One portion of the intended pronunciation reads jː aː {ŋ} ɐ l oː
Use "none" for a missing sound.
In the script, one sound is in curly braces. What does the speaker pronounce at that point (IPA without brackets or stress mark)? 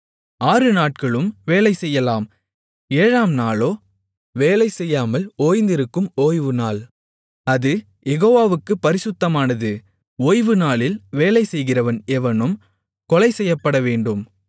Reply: m